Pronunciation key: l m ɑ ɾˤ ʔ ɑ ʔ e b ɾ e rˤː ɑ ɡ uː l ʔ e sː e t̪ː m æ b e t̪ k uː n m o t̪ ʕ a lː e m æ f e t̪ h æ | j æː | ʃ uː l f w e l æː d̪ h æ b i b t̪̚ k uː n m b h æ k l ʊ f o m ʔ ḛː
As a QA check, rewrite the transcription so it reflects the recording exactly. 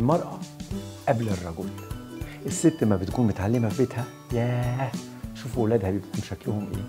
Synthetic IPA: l m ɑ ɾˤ ʔ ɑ ʔ æ b l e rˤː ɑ ɡ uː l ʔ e sː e t̪ː m æ b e t̪ k uː n m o t̪ ʕ a lː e m æ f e t̪ h æ | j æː | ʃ uː f w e l æː d̪ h æ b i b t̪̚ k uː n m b ʃ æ k l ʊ h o m ʔ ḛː